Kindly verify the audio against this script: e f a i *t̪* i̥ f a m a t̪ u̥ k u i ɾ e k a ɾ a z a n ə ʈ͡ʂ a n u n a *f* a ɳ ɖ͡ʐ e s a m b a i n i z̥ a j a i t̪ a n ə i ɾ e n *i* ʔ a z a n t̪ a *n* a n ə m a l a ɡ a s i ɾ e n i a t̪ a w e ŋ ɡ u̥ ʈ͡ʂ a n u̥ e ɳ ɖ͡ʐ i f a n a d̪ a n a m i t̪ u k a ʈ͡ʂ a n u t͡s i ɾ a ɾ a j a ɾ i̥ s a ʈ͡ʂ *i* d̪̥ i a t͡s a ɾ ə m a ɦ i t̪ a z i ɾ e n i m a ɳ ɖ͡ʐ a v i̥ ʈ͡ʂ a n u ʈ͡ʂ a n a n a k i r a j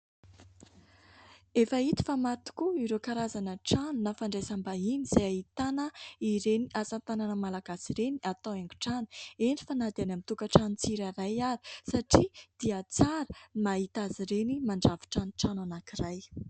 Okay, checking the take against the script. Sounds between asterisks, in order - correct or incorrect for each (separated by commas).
correct, correct, correct, correct, correct